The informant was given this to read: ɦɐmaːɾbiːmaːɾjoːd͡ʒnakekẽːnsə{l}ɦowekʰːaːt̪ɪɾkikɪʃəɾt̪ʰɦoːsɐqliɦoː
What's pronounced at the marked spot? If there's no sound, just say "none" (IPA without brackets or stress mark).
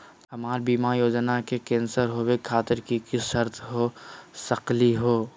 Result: ɾ